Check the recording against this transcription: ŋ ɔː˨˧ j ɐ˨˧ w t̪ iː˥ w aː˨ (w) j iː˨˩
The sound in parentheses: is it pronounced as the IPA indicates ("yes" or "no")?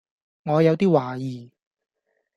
no